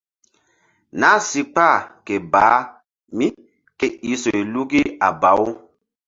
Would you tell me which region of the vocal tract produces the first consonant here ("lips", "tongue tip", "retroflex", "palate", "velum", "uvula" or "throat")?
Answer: tongue tip